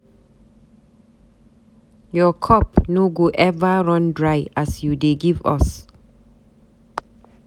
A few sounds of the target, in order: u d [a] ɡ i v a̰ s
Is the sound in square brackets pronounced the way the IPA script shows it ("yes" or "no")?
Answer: no